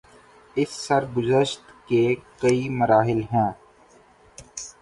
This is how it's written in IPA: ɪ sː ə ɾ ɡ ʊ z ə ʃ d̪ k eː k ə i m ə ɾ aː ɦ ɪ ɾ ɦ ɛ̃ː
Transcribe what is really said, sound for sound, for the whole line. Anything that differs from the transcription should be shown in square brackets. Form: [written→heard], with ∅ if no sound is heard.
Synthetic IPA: ɪ sː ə ɾ ɡ ʊ z ə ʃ [d̪→t̪] k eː k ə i m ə ɾ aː ɦ ɪ [ɾ→l] ɦ ɛ̃ː